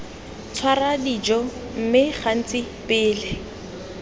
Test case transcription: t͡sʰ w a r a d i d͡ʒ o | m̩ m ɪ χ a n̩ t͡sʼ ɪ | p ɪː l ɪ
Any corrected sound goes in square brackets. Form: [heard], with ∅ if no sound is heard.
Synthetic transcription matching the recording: t͡sʰ w a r a d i d͡ʒ [ɔ] | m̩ m ɪ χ a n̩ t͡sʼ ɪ | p ɪː l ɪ